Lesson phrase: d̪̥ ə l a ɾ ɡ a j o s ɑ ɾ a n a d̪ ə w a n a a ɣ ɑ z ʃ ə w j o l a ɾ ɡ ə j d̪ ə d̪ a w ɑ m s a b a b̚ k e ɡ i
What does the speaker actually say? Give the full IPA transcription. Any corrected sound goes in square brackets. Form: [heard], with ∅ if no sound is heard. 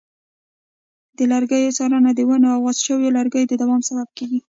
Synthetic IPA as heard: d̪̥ ə l a ɾ ɡ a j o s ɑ ɾ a n a d̪ ə w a n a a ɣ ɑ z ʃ ə w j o l a ɾ ɡ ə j d̪ ə d̪ a w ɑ m s a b a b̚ k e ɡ i